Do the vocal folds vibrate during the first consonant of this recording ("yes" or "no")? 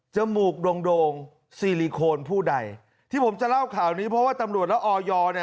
no